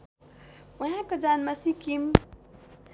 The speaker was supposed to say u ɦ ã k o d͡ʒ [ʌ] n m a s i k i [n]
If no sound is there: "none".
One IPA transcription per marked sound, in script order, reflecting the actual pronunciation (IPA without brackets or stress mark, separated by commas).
a, m